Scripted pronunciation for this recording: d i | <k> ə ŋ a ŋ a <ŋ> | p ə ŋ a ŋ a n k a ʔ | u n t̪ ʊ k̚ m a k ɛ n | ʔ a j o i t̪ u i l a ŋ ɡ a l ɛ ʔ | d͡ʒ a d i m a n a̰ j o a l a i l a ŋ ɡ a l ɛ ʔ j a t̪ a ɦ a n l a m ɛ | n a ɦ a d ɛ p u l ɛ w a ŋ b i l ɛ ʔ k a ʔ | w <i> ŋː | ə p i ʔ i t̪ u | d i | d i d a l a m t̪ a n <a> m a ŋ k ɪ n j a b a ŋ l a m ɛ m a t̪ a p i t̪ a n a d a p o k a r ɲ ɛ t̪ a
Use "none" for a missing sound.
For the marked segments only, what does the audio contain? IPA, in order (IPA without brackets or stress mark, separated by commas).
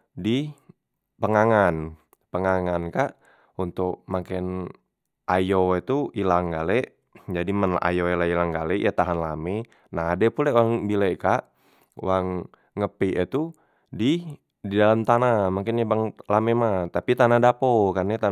p, n, a, a